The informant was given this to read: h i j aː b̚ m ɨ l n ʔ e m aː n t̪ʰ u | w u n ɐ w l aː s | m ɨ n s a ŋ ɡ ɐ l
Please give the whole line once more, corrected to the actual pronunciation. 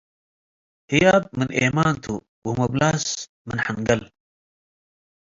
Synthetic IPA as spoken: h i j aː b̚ m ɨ n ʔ e m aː n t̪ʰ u | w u m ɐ b l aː s | m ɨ n ħ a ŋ ɡ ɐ l

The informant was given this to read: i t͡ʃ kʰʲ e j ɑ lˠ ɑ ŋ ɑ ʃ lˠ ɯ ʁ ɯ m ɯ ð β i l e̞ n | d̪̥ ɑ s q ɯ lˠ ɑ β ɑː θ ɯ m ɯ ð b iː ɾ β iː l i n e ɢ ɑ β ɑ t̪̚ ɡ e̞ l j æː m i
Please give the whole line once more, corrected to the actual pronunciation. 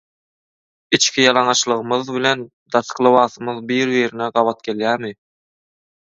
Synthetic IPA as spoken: i t͡ʃ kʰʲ i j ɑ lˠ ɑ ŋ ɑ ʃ lˠ ɯ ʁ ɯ m ɯ ð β i l e̞ n | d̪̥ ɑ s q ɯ lˠ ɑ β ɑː θ ɯ m ɯ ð b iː ɾ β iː ɾ i n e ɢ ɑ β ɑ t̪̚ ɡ e̞ l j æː m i

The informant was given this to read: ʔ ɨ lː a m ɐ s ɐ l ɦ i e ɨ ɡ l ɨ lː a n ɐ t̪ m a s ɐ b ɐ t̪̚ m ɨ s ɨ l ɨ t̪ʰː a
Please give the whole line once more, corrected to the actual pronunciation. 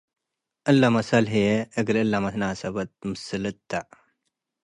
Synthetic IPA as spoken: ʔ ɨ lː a m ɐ s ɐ l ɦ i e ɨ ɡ l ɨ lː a m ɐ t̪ n a s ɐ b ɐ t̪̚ m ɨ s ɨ l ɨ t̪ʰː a

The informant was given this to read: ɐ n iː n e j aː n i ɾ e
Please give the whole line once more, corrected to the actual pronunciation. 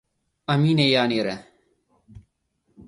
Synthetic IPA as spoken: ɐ m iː n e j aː n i ɾ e

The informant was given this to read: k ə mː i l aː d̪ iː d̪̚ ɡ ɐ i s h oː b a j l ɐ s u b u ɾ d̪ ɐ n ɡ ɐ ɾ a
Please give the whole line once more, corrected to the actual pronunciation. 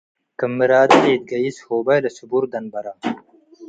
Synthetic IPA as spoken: k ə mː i ɾ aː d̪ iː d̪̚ ɡ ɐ i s h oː b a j l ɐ s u b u ɾ d̪ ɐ n b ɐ ɾ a

